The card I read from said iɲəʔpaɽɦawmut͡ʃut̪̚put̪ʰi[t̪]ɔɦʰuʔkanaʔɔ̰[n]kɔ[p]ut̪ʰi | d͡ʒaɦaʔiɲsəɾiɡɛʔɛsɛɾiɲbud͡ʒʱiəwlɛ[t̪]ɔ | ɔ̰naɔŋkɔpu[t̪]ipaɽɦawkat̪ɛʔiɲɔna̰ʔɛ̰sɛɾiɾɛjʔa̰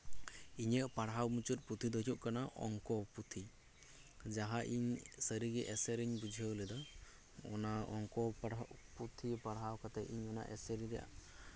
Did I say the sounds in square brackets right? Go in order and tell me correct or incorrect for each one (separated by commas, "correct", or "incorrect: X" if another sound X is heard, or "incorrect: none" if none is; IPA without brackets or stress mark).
incorrect: d̪, incorrect: ŋ, correct, incorrect: d̪, incorrect: t̪ʰ